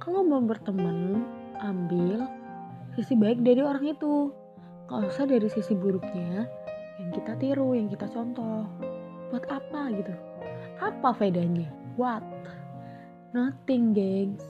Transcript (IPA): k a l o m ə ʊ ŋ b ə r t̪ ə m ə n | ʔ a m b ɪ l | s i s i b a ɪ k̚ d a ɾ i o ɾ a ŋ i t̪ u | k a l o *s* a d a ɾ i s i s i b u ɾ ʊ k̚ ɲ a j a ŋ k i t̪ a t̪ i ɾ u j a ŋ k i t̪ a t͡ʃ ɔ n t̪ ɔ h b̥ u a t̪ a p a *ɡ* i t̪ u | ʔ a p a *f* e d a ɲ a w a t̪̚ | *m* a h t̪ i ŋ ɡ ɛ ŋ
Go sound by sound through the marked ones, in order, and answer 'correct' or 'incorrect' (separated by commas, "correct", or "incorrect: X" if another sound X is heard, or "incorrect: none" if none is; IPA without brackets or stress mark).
correct, correct, correct, incorrect: n